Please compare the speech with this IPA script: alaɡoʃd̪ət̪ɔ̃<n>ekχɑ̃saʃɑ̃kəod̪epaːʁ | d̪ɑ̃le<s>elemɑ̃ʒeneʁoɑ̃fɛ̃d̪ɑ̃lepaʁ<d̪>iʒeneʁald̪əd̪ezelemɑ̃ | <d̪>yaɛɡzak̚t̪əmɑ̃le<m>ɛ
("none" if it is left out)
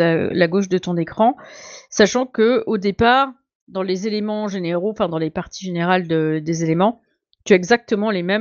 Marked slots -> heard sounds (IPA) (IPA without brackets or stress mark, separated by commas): n, z, t̪, t̪, m